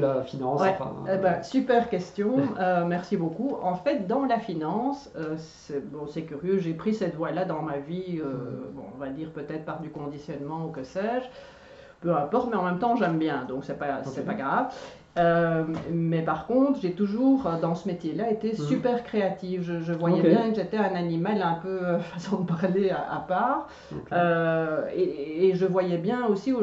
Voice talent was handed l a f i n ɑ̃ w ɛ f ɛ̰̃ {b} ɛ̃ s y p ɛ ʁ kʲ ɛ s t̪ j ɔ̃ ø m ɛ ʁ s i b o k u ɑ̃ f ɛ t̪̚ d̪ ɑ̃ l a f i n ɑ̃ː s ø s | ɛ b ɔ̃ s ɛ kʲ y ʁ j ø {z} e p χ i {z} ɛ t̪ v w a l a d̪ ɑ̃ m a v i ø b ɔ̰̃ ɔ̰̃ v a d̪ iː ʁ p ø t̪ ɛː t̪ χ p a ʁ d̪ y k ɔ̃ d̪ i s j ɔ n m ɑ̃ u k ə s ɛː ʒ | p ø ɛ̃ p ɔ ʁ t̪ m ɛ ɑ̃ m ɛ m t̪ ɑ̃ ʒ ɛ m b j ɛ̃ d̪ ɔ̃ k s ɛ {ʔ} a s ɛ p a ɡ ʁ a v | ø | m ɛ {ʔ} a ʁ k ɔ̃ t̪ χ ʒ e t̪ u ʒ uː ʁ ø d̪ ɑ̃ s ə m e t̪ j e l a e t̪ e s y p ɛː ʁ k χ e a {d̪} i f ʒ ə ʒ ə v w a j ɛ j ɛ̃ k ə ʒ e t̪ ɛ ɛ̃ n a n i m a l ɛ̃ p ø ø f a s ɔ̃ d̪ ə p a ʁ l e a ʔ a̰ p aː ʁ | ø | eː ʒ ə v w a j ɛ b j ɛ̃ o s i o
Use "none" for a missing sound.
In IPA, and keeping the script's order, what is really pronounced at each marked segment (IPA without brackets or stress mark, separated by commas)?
b, ʒ, s, p, p, t̪